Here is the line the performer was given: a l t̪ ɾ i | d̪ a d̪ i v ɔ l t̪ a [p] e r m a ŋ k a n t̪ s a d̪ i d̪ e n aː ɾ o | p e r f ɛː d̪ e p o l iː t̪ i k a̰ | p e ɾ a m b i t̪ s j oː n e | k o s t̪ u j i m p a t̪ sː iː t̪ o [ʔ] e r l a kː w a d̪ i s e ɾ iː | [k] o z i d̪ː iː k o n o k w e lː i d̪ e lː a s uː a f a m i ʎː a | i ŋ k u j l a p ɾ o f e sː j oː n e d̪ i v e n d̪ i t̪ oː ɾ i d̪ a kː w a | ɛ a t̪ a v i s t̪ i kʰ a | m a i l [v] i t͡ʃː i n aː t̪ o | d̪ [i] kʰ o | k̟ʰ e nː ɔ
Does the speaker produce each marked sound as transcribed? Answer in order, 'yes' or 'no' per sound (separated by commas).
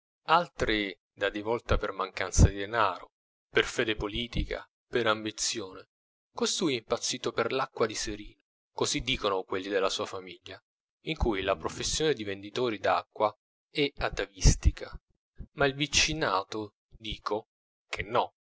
yes, no, yes, yes, no